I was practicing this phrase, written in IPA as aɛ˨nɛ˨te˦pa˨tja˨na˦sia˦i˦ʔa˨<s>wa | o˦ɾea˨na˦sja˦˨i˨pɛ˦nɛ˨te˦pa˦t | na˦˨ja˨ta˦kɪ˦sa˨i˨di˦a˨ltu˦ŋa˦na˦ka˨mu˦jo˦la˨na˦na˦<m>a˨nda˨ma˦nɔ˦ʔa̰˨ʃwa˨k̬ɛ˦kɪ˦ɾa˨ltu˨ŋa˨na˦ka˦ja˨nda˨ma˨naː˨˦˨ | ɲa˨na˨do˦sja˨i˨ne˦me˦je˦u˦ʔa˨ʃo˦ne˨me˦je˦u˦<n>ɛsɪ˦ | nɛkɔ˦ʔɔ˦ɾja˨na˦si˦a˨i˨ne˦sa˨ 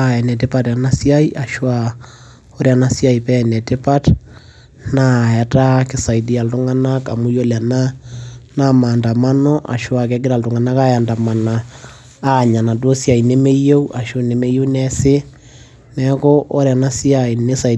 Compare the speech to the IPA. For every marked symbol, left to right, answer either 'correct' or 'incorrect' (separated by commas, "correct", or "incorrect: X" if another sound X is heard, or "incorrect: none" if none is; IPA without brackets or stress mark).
incorrect: ʃ, correct, correct